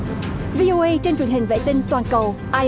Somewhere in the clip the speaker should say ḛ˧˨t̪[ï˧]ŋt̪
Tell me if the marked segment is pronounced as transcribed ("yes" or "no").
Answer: yes